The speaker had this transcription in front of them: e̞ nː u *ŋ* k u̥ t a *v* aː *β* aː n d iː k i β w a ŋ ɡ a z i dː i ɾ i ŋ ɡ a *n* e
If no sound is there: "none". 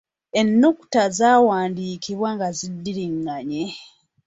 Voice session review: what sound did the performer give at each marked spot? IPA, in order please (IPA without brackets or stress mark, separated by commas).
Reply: none, z, w, ɲ